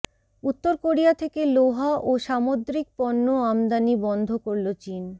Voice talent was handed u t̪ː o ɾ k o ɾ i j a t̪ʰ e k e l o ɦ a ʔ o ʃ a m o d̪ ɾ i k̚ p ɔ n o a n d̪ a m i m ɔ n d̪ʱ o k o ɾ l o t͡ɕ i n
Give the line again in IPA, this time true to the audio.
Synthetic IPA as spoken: u t̪ː o ɾ k o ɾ i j a t̪ʰ e k e l o ɦ a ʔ o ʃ a m o d̪ ɾ i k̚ p ɔ nː o a m d̪ a n i b ɔ n d̪ʱ o k o ɾ l o t͡ɕ i n